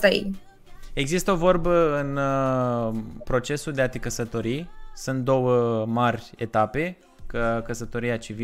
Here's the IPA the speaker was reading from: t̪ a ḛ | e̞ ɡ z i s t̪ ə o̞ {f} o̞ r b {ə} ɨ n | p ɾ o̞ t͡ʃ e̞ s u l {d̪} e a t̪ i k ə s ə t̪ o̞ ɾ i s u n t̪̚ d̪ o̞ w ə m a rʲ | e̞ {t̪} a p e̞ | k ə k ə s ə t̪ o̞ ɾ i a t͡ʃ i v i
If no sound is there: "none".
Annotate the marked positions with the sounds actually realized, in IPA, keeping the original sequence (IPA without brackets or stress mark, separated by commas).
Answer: v, ə, d̪, t̪